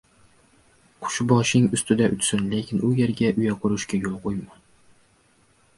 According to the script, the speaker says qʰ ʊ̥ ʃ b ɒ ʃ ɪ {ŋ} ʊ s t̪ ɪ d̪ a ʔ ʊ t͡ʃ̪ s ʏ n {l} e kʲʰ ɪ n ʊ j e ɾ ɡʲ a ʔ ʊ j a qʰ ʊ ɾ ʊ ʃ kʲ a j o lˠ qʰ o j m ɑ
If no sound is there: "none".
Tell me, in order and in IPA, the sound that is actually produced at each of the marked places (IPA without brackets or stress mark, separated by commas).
ŋ, l